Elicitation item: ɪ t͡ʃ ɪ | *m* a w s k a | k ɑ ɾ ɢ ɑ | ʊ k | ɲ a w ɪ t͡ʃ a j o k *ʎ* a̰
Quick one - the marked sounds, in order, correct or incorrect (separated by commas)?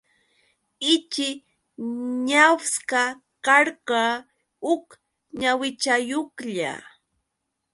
incorrect, correct